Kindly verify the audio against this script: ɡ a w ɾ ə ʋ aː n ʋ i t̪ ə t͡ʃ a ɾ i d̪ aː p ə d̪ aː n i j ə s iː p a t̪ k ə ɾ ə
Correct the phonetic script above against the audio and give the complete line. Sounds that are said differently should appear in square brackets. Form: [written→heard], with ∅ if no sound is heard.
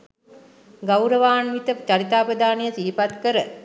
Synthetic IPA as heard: ɡ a w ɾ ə ʋ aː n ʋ i t̪ ə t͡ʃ a ɾ i [d̪→t̪] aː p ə d̪ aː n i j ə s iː p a t̪ k ə ɾ ə